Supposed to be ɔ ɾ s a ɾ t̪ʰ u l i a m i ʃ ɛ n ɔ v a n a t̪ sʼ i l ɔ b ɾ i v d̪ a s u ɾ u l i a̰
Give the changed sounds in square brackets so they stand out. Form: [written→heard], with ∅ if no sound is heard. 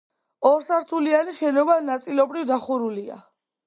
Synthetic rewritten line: ɔ ɾ s a ɾ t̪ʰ u l i a [m→n] i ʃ ɛ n ɔ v a n a t̪ sʼ i l ɔ b ɾ i v d̪ a [s→χ] u ɾ u l i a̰